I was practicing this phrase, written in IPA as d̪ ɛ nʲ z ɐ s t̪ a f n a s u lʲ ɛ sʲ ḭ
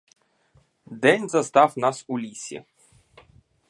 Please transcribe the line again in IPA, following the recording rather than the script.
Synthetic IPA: d̪ ɛ nʲ z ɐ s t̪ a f n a s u lʲ i sʲ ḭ

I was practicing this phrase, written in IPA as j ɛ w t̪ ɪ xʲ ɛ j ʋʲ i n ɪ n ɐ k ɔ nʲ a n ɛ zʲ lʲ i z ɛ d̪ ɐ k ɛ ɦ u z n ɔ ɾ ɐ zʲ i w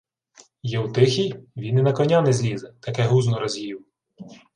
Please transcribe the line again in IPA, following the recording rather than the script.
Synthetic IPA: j ɛ w t̪ ɪ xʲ i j ʋʲ i n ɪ n ɐ k ɔ nʲ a n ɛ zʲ lʲ i z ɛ t̪ ɐ k ɛ ɦ u z n ɔ ɾ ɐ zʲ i w

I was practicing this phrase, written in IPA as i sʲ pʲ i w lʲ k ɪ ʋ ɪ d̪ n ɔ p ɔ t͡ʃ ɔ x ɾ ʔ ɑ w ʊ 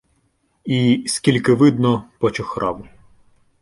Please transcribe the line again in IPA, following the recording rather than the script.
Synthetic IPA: i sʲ kʲ i lʲ k ɪ ʋ ɪ d̪ n ɔ p ɔ t͡ʃ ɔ x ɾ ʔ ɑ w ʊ

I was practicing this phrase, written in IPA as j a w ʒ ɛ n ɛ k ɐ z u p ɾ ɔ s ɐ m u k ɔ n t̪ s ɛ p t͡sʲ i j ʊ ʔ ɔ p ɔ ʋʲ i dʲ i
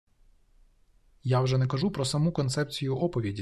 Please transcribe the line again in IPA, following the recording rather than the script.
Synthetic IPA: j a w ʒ ɛ n ɛ k ɐ ʒ u p ɾ ɔ s ɐ m u k ɔ n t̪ s ɛ p t͡sʲ i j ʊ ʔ ɔ p ɔ ʋʲ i dʲ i

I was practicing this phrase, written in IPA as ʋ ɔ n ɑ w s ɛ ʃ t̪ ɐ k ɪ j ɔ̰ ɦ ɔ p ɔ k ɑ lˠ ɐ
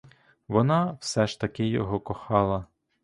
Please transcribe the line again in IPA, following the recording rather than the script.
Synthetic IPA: ʋ ɔ n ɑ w s ɛ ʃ t̪ ɐ k ɪ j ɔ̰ ɦ ɔ k ɔ x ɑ lˠ ɐ

